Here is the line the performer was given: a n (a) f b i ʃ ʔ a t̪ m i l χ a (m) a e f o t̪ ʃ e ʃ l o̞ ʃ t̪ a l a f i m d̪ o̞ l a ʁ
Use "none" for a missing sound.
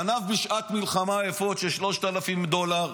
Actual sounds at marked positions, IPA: a, m

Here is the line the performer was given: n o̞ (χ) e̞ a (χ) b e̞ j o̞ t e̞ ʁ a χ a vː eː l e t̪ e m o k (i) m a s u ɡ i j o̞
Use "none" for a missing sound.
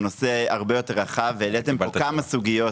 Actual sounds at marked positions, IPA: s, ʁ, a

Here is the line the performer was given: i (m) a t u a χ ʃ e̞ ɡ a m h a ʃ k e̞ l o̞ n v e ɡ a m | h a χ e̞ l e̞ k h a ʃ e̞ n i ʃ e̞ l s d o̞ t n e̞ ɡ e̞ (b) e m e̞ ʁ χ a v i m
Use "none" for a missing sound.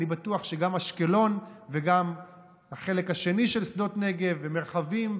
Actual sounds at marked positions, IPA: b, v

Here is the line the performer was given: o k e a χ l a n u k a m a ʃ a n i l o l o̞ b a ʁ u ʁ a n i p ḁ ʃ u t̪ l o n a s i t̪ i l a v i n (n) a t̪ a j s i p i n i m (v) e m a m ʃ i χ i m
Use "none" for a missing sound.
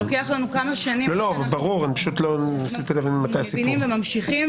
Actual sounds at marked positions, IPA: m, v

